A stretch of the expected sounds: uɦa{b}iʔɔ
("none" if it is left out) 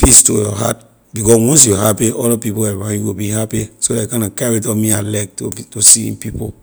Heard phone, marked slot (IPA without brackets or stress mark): p